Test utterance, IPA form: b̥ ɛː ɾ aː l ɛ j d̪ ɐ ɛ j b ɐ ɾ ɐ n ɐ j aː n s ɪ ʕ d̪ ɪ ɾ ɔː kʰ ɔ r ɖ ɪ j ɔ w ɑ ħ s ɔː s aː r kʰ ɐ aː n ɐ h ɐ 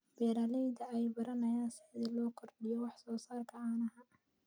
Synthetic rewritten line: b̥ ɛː ɾ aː l ɛ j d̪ ɐ ɛ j b ɐ ɾ ɐ n ɐ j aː n s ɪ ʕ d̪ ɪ l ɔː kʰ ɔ r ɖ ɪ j ɔ w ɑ ħ s ɔː s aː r kʰ ɐ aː n ɐ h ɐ